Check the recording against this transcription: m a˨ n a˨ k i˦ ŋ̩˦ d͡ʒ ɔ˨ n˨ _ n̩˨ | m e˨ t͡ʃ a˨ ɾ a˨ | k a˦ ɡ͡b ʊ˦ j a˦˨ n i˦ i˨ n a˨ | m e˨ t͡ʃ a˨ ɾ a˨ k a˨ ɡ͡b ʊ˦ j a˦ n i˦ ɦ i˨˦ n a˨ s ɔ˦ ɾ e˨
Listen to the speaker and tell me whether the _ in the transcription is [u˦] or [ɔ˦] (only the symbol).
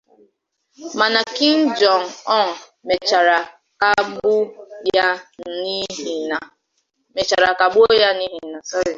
ɔ˦